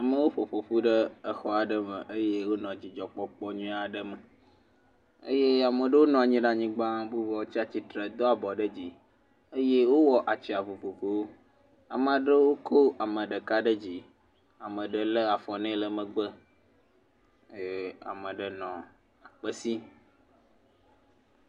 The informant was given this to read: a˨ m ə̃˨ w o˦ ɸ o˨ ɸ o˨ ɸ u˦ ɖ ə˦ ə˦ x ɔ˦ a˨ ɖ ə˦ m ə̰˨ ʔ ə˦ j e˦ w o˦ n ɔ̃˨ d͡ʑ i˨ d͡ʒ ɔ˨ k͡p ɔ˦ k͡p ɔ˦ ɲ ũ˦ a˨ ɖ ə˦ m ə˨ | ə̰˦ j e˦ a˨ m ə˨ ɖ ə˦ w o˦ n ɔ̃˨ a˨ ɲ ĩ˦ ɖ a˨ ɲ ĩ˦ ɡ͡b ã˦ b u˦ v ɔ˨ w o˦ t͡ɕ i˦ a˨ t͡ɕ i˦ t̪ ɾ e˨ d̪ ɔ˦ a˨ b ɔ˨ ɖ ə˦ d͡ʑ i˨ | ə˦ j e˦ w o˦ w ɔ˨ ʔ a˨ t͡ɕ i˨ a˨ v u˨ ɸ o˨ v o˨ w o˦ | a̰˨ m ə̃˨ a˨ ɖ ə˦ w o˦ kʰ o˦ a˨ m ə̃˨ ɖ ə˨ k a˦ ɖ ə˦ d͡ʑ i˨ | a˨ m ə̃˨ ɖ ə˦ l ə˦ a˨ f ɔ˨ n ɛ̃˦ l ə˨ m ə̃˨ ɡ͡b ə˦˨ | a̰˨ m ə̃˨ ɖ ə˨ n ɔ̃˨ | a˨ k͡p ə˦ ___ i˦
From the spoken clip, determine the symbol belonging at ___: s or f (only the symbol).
s